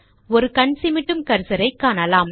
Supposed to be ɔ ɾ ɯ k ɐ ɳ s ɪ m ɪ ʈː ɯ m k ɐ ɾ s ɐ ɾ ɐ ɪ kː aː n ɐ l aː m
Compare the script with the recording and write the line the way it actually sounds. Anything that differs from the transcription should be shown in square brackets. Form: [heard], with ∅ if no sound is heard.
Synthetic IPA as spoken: ɔ ɾ ɯ k ɐ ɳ s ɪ m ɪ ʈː ɯ m k ɐ ɾ s ɐ ɾ ɐ ɪ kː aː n ɐ l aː m